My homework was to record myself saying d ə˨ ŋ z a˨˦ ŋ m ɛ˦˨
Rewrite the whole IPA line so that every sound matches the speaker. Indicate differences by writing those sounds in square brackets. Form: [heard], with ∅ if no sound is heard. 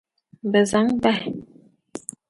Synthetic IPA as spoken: [b] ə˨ [∅] z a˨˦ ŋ [b] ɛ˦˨